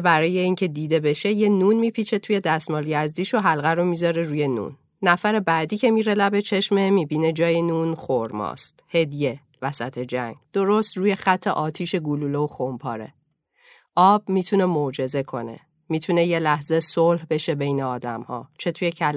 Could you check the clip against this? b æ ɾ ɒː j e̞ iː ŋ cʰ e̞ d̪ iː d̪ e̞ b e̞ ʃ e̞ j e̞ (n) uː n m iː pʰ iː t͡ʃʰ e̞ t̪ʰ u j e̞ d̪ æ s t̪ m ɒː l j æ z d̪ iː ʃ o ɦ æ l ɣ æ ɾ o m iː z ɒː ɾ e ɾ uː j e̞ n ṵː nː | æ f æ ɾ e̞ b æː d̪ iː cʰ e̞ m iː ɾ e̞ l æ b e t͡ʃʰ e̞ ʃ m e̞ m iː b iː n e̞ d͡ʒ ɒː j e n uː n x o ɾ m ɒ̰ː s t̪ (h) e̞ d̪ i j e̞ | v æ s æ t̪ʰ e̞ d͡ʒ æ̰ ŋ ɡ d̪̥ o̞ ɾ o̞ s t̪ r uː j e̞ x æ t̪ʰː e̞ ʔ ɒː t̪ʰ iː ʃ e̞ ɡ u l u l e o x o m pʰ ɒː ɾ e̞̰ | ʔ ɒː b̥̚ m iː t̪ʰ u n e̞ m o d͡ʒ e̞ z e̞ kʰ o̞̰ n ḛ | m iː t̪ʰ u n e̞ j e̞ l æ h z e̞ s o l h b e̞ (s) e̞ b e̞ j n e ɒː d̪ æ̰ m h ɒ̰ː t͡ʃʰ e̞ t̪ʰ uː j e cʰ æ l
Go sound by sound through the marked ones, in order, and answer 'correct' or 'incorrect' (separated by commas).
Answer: correct, correct, incorrect